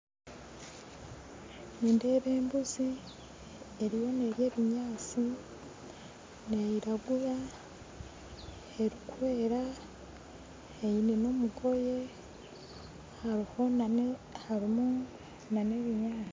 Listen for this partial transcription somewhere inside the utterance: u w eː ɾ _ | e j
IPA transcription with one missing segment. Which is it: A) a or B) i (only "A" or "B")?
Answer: A